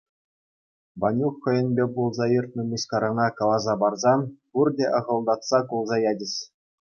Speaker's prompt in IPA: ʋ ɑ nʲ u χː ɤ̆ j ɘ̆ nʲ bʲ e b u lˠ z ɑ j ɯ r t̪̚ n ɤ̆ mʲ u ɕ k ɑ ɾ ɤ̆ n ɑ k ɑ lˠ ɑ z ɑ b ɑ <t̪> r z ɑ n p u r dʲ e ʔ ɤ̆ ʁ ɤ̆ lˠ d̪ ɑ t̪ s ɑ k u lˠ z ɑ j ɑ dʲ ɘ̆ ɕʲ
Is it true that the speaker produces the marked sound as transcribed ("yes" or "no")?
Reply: no